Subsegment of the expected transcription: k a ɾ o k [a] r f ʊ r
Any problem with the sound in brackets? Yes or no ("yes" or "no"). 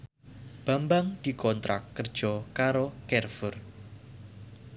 yes